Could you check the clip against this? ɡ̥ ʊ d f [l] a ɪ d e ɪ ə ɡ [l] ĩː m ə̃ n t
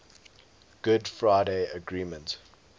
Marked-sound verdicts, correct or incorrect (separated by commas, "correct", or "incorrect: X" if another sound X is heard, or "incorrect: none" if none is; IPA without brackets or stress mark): incorrect: ɹ, incorrect: ɹ